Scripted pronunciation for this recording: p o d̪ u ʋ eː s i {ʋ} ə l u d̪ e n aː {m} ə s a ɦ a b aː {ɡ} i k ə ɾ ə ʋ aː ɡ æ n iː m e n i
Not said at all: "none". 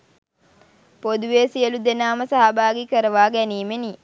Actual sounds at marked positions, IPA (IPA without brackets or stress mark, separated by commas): none, m, ɡ